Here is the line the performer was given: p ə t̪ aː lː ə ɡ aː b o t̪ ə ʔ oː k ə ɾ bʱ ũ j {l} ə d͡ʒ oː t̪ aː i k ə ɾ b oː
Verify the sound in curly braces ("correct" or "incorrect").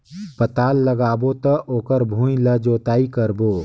correct